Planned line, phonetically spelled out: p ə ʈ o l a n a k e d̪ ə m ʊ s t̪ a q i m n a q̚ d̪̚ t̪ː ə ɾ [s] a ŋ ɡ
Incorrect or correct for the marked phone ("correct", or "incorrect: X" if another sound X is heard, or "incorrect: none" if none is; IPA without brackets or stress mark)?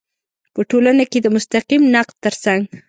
correct